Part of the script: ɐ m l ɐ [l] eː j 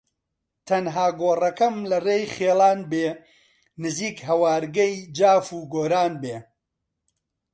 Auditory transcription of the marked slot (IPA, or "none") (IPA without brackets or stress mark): r